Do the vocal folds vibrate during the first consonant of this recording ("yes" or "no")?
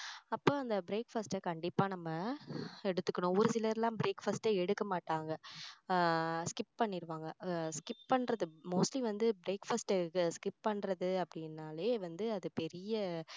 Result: no